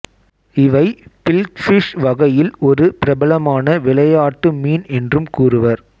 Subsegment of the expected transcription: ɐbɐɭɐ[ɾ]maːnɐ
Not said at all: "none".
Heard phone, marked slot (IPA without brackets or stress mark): none